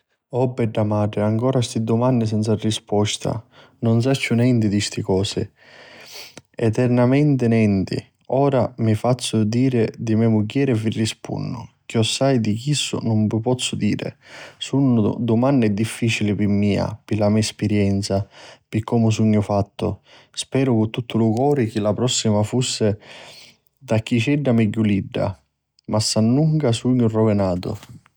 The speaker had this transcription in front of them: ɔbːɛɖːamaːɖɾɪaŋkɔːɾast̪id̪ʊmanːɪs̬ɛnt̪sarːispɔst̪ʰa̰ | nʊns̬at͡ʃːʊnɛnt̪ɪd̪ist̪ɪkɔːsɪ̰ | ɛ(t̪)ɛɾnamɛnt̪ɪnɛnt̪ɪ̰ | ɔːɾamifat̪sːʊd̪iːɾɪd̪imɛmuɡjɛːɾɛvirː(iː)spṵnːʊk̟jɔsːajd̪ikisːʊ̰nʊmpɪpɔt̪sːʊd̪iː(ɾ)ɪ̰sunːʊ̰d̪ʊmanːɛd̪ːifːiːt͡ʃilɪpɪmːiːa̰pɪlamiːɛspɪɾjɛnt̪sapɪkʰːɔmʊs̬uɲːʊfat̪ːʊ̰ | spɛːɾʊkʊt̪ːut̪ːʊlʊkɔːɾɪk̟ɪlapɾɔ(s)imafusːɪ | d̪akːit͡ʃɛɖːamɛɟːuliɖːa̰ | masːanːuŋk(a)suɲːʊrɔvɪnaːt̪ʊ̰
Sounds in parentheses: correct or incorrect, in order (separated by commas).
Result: correct, incorrect, correct, incorrect, correct